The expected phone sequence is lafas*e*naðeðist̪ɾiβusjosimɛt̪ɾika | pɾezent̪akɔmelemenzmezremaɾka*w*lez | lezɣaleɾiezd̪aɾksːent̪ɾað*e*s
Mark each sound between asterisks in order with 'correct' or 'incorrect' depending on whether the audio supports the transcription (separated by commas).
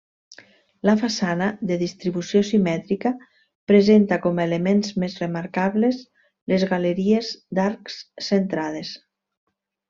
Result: incorrect, incorrect, correct